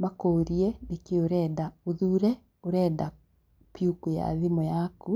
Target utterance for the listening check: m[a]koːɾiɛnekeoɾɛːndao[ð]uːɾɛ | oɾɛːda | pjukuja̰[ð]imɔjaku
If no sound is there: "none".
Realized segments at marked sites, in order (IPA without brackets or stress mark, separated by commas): a, ð, ð